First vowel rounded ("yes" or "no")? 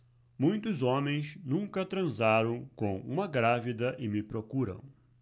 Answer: yes